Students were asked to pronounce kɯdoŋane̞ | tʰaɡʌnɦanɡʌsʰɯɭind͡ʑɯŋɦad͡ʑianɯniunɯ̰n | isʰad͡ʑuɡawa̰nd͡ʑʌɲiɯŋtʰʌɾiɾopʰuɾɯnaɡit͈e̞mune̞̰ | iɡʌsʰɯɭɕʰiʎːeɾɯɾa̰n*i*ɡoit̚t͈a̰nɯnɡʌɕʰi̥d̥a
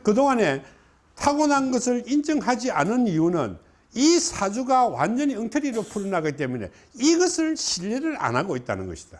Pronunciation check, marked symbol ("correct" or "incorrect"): incorrect